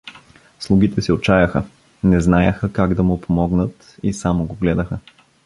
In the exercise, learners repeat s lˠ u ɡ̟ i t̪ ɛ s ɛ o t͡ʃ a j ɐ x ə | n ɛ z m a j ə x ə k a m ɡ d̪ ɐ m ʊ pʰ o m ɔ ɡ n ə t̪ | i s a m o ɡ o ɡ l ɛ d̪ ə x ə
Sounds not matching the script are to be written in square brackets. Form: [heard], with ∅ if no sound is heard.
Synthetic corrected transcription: s lˠ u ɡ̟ i t̪ ɛ s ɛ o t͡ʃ a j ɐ x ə | n ɛ z [n] a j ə x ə k a [∅] ɡ d̪ ɐ m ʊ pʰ o m ɔ ɡ n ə t̪ | i s a m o ɡ o ɡ l ɛ d̪ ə x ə